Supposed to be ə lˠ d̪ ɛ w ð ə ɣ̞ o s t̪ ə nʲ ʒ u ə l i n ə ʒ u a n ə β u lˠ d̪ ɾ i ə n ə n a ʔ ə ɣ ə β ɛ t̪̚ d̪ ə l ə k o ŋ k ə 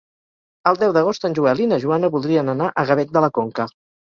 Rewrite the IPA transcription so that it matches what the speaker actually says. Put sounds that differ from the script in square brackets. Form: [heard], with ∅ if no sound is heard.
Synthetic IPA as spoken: ə lˠ d̪ ɛ w ð ə ɣ̞ o s t̪ ə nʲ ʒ u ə l i n ə ʒ u a n ə β u lˠ d̪ ɾ i ə n ə n a ʔ ə ɣ ə β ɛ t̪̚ d̪ ə l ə k o ŋ k ə